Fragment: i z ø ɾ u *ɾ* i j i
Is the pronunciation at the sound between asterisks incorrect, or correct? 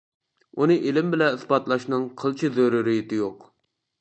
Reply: correct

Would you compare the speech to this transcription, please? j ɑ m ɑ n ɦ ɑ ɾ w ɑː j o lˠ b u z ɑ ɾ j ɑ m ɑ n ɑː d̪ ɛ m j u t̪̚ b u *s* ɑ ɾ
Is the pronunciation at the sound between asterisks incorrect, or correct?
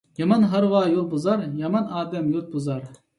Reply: incorrect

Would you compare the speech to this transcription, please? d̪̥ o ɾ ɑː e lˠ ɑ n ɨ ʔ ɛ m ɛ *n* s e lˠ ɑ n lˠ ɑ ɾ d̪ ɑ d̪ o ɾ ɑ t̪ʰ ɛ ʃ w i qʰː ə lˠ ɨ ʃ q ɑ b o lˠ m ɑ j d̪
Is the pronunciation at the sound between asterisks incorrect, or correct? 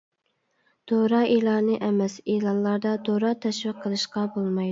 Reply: incorrect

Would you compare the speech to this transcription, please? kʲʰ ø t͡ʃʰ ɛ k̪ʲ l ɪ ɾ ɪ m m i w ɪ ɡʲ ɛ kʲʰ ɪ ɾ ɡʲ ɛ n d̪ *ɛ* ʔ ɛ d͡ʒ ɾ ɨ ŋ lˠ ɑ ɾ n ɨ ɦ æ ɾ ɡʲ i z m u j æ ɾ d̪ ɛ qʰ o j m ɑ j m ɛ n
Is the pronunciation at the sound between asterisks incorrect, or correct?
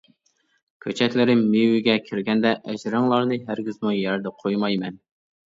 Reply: correct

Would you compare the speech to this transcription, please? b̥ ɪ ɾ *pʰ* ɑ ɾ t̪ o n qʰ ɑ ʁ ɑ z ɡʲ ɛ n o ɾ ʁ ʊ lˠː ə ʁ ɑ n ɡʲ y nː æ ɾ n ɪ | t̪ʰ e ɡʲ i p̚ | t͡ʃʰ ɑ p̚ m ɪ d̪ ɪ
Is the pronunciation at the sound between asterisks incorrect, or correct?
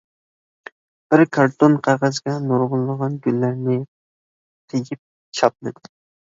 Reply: incorrect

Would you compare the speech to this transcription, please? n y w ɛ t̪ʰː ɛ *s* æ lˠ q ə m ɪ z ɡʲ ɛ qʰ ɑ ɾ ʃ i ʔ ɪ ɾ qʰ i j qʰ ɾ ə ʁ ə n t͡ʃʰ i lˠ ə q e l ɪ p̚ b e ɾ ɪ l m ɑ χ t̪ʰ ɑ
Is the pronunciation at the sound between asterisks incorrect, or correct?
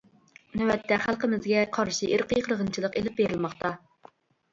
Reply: incorrect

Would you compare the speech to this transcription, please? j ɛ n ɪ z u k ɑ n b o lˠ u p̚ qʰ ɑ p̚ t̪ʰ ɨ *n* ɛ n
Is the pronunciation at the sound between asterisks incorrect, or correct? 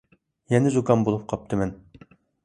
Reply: incorrect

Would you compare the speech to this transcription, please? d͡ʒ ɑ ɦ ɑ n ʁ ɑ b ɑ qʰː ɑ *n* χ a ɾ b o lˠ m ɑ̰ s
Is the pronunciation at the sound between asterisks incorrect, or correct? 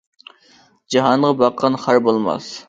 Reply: correct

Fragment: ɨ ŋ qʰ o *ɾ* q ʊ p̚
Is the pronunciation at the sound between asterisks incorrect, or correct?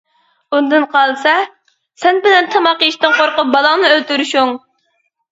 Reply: correct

